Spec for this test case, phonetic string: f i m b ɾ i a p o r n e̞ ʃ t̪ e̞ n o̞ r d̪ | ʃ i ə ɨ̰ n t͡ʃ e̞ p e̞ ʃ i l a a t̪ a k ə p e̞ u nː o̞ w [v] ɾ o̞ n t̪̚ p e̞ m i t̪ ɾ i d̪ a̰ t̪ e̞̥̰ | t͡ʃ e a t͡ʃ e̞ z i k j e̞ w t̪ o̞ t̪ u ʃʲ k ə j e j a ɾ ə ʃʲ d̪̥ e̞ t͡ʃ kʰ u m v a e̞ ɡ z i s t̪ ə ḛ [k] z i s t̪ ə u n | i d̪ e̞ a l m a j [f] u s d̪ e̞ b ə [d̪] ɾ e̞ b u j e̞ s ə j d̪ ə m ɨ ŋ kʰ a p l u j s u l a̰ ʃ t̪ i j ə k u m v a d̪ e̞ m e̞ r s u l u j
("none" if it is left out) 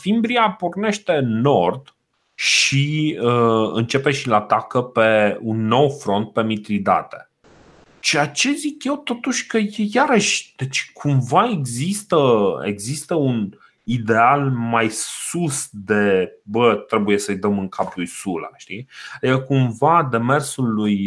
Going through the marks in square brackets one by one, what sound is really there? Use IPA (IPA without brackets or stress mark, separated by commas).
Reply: f, ɡ, s, t̪